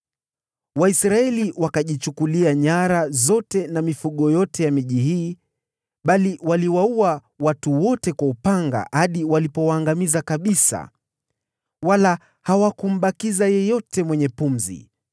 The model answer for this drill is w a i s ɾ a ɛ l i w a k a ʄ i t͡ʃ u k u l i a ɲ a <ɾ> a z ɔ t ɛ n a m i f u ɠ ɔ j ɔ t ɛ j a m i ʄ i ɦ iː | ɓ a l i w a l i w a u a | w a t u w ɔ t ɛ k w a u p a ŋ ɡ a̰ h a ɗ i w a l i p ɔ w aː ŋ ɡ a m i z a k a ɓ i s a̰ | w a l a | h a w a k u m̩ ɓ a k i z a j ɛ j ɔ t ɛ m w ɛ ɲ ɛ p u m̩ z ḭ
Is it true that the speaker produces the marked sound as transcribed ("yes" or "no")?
yes